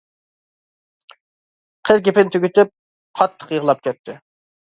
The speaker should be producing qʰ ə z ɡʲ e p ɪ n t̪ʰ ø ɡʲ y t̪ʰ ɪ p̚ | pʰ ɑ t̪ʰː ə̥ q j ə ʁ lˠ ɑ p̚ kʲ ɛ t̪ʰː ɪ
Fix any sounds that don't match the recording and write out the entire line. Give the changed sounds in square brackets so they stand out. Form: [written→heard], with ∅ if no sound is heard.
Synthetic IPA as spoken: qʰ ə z ɡʲ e p ɪ n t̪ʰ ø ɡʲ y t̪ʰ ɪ p̚ | [pʰ→qʰ] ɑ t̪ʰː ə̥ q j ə ʁ lˠ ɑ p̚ kʲ ɛ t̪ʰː ɪ